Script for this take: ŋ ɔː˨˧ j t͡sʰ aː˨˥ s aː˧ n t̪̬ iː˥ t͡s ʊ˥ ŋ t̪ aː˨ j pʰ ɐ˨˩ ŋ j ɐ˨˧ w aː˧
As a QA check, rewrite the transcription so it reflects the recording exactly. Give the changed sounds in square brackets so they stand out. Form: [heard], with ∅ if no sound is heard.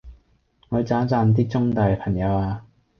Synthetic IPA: ŋ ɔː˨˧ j [t͡s] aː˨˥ [t͡s] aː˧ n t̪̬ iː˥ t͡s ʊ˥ ŋ t̪ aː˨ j pʰ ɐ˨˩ ŋ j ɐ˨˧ w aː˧

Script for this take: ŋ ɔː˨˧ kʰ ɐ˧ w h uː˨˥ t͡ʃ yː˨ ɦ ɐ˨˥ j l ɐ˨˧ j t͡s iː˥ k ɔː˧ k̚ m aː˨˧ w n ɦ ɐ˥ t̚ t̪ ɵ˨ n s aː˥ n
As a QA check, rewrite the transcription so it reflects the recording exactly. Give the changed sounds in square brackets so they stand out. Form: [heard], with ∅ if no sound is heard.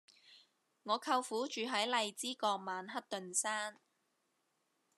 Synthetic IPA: ŋ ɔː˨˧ kʰ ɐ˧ w [f] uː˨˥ t͡ʃ yː˨ ɦ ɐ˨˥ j l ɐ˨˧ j t͡s iː˥ k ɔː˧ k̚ m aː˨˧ [∅] n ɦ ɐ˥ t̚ t̪ ɵ˨ n s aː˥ n

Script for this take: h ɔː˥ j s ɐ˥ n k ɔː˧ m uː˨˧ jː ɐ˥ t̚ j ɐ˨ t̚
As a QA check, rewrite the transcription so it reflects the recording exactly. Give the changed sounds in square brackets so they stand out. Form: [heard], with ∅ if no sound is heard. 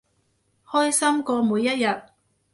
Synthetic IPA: h ɔː˥ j s ɐ˥ [m] k ɔː˧ m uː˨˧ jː ɐ˥ t̚ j ɐ˨ t̚

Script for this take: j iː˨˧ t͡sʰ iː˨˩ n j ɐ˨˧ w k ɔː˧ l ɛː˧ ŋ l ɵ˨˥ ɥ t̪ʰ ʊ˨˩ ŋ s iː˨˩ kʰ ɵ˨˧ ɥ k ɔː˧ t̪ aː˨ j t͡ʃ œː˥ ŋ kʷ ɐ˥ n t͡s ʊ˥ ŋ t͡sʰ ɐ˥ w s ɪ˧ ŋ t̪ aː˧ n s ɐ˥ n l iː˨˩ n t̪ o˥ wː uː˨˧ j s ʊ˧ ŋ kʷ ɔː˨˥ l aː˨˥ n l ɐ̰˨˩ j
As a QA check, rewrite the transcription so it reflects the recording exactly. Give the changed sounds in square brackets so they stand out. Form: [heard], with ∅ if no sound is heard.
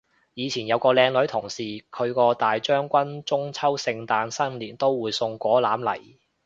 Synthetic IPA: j iː˨˧ t͡sʰ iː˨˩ n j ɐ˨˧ w k ɔː˧ l ɛː˧ ŋ l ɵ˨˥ ɥ t̪ʰ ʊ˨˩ ŋ s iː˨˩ kʰ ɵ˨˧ ɥ k ɔː˧ t̪ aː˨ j t͡ʃ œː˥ ŋ kʷ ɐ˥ n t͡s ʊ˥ ŋ t͡sʰ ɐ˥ w s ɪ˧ ŋ t̪ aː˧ n s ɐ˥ n l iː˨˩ n t̪ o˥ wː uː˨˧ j s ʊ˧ ŋ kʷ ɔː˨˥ l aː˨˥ [m] l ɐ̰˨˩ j

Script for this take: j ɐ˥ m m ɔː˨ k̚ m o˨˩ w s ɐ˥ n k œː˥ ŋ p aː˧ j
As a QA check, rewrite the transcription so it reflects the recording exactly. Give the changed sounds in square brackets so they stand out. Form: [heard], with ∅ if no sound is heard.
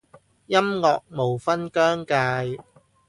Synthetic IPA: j ɐ˥ m [ŋ] ɔː˨ k̚ m o˨˩ w [f] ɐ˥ n k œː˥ ŋ [k] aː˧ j

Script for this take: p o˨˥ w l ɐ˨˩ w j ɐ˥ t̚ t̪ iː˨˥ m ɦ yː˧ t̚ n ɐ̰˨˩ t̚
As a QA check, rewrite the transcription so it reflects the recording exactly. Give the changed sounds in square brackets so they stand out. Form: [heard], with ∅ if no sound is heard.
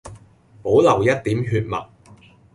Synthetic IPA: p o˨˥ w l ɐ˨˩ w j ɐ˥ t̚ t̪ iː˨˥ m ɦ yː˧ t̚ [m] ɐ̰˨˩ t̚

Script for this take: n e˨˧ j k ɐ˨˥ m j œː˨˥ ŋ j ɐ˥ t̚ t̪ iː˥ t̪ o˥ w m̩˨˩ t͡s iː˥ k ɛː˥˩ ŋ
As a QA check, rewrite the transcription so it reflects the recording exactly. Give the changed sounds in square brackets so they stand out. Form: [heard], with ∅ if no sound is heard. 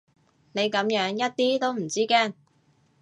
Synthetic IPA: n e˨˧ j k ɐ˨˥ m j œː˨˥ ŋ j ɐ˥ t̚ t̪ iː˥ t̪ o˥ w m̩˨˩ t͡s iː˥ k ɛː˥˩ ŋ

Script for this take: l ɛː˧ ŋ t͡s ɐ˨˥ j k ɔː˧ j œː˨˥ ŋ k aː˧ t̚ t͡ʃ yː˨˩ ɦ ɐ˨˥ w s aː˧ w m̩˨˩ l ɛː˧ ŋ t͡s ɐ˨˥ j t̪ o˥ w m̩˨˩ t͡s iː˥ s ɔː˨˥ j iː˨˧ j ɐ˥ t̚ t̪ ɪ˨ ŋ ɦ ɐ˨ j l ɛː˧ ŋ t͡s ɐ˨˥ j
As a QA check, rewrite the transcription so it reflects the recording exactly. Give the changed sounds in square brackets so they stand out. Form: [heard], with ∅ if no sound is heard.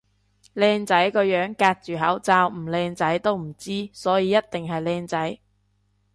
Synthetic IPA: l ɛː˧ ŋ t͡s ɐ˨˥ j k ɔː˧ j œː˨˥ ŋ k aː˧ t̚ t͡ʃ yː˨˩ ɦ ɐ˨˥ w [t͡s] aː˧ w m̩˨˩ l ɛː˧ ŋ t͡s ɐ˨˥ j t̪ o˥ w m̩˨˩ t͡s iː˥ s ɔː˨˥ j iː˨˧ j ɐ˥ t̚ t̪ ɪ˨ ŋ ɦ ɐ˨ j l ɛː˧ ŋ t͡s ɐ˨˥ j

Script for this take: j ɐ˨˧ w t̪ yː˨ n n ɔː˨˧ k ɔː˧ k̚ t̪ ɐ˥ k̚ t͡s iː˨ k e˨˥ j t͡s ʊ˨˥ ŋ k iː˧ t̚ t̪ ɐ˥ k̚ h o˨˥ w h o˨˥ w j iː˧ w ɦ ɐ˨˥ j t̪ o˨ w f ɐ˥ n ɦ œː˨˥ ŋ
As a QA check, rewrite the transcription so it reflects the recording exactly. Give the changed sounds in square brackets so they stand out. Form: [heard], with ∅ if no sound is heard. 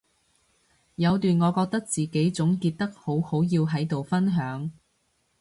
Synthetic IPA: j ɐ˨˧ w t̪ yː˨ n [ŋ] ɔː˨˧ k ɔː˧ k̚ t̪ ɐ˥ k̚ t͡s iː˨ k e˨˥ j t͡s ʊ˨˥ ŋ k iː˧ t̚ t̪ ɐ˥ k̚ h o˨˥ w h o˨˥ w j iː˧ w ɦ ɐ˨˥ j t̪ o˨ w f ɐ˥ n ɦ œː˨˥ ŋ

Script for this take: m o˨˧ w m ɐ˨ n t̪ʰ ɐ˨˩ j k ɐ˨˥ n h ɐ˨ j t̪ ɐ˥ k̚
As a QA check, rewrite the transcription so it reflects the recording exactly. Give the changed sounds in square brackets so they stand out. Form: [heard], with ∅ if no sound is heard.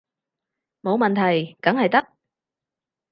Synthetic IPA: m o˨˧ w m ɐ˨ n t̪ʰ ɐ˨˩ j k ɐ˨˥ [ŋ] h ɐ˨ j t̪ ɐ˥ k̚

